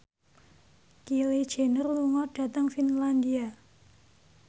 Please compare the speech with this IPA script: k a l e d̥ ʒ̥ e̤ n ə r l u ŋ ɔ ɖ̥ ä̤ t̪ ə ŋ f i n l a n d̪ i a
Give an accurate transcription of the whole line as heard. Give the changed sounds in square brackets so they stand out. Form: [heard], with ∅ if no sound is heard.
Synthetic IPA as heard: k [i] l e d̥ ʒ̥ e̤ n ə r l u ŋ ɔ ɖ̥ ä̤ t̪ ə ŋ f i n l a n d̪ i a